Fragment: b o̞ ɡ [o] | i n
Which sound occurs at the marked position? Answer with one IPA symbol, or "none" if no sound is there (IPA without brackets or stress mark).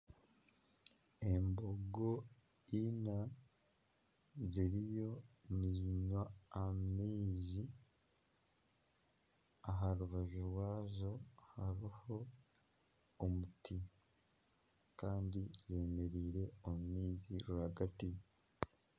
o